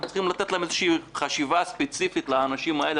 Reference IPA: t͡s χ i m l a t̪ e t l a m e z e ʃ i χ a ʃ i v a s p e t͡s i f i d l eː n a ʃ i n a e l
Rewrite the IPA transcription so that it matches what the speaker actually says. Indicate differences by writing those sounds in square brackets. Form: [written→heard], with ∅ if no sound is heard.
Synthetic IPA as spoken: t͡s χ i m l a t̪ e t l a m e z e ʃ [i→iː] χ a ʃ i v a s p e t͡s i f i [d→t] l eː n a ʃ i [n→m] a e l

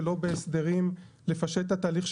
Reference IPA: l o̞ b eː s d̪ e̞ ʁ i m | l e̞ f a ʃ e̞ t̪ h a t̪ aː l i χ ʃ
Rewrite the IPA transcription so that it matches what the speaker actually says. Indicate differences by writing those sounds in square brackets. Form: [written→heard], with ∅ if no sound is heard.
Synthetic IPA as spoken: l o̞ b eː s d̪ e̞ ʁ i m | l e̞ f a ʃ e̞ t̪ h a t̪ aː l i χ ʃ

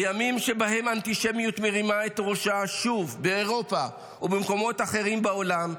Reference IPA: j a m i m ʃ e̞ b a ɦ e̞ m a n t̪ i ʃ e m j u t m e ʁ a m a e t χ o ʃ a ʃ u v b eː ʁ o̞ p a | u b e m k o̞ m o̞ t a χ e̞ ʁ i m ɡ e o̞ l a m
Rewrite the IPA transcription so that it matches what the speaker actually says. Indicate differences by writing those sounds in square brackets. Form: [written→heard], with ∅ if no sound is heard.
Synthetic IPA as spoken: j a m i m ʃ e̞ b a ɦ e̞ m a n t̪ i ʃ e m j u t m e ʁ [a→i] m a e t [χ→ʁ] o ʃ a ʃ u v b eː ʁ o̞ p a | u b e m k o̞ m o̞ t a χ e̞ ʁ i m [ɡ→b] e o̞ l a m

